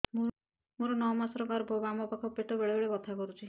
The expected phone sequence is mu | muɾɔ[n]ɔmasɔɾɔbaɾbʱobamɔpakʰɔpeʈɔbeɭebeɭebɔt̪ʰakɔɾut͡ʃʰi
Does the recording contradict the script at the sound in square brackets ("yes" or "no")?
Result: no